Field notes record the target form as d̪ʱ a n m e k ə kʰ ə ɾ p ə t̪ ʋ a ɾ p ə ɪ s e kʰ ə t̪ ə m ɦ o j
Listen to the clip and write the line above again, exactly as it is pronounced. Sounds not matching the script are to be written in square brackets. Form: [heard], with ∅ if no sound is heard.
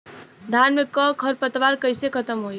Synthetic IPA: d̪ʱ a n m e k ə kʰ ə ɾ p ə t̪ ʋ a ɾ [k] ə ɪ s e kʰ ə t̪ ə m ɦ o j